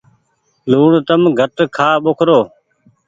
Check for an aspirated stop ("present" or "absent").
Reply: present